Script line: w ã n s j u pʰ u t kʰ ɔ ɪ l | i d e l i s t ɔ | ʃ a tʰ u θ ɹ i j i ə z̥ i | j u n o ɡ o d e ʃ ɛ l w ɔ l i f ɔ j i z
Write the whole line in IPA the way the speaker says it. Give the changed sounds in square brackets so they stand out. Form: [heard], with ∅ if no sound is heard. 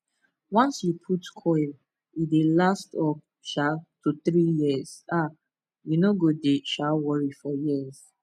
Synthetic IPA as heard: w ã n s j u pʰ u t kʰ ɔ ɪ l | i d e l [a] s t ɔ | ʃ a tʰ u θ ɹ i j i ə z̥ [a] | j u n o ɡ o d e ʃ [a] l w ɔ [ɹ] i f ɔ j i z